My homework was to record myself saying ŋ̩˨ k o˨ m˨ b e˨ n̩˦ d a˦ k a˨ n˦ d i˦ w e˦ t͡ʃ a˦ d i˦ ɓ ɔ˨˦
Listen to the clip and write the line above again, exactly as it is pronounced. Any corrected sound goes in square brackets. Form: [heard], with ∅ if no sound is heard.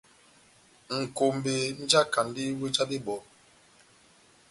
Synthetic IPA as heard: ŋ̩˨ k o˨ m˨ b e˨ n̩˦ [d͡ʒ] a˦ k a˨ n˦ d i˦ w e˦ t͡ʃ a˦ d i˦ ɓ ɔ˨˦

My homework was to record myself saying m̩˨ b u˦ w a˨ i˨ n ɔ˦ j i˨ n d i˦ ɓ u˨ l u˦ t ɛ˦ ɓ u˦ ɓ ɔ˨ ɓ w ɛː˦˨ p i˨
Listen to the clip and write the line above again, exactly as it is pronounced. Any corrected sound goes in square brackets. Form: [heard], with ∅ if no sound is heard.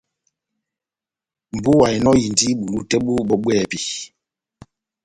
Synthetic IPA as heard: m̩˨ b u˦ w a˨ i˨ n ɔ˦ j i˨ n d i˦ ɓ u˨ l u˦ t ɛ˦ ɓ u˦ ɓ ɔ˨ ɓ w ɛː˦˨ p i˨

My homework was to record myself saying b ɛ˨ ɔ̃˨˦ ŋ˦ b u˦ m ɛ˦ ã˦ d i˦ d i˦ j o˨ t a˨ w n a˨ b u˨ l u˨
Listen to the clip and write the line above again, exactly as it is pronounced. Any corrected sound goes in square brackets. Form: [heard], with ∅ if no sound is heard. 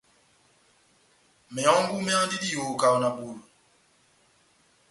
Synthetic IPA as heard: [m] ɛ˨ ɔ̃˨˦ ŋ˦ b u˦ m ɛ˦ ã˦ d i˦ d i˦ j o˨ [k] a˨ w n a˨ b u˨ l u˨

